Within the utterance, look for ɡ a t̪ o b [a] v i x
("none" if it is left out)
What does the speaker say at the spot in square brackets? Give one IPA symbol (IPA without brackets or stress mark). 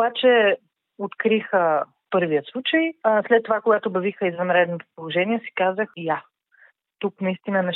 ɐ